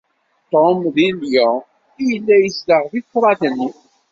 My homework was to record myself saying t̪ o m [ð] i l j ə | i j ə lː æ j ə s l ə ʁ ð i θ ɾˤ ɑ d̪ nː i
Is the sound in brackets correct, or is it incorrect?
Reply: correct